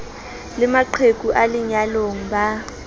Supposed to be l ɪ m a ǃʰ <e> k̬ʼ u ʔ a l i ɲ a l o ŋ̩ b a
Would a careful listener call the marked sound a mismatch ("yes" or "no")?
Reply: no